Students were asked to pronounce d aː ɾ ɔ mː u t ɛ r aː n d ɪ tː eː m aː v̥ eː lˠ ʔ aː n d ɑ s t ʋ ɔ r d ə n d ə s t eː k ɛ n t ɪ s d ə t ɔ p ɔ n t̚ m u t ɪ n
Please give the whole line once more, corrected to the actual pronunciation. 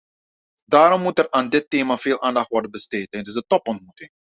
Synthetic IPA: d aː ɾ ɔ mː u t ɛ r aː n d ɪ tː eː m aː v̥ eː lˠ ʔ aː n d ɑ χ t ʋ ɔ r d ə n b ə s t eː t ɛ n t ɪ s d ə t ɔ p ɔ n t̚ m u t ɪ ŋ